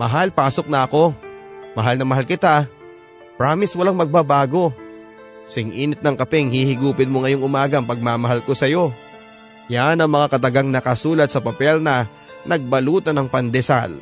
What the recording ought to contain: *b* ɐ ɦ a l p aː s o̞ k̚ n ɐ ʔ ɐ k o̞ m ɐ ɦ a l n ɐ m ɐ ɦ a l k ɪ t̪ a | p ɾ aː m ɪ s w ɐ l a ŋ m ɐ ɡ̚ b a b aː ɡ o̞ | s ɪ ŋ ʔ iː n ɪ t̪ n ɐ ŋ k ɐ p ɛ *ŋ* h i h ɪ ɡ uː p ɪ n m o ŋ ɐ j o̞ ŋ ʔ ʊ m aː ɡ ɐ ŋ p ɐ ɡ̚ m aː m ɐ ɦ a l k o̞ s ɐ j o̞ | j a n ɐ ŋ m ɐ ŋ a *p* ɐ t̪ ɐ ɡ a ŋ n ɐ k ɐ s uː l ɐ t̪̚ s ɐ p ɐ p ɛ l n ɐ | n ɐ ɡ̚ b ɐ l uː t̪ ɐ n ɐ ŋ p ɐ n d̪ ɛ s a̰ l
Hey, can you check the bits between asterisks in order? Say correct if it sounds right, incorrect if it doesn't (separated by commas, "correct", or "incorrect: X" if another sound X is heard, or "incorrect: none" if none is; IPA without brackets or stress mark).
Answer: incorrect: m, correct, incorrect: k